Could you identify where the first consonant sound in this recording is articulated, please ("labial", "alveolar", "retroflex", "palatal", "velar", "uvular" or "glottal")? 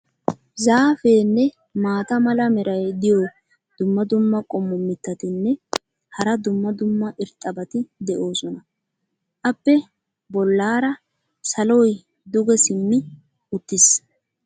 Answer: alveolar